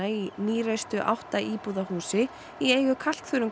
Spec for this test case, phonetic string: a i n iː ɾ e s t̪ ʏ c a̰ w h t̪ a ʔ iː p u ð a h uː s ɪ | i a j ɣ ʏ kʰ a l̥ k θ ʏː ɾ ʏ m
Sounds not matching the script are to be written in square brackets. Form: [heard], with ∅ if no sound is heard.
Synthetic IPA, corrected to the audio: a i n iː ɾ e s t̪ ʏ [ʔ] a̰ w h t̪ a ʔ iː p u ð a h uː s ɪ | i [e] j ɣ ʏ kʰ a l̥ k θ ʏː ɾ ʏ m